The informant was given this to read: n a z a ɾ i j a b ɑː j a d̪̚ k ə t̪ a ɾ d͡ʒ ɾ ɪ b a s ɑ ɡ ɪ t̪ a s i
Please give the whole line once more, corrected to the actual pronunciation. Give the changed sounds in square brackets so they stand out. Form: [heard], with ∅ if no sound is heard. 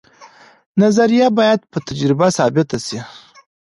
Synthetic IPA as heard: n a z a ɾ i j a b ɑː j a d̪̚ [p] ə t̪ a [∅] d͡ʒ ɾ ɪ b a s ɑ [b] ɪ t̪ a s i